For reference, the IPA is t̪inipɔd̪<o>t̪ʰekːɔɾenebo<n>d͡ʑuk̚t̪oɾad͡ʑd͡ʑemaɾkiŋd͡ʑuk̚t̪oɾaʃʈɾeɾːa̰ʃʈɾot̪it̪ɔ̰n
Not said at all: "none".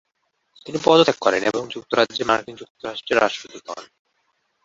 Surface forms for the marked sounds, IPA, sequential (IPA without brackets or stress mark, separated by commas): o, ŋ